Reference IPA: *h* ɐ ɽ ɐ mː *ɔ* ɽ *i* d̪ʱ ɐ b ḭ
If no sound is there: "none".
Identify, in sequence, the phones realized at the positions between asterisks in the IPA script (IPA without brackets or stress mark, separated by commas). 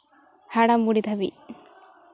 h, u, i